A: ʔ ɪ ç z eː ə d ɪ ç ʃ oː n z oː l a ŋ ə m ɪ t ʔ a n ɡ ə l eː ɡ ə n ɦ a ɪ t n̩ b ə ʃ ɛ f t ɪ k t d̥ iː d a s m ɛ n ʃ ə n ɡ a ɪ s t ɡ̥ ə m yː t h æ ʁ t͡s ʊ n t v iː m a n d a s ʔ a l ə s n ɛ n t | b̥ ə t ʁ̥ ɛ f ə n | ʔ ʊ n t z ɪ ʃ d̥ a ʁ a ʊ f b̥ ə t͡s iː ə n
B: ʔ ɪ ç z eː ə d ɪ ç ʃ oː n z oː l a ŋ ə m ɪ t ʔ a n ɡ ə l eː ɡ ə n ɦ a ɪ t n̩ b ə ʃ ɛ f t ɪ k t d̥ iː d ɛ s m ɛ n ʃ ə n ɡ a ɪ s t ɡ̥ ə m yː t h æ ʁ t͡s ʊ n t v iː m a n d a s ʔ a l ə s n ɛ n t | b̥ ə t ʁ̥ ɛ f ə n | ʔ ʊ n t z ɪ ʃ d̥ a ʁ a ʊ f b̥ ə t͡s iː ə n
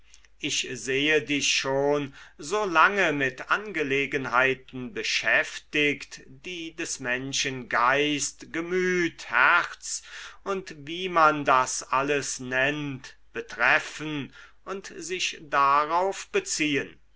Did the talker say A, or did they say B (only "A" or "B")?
B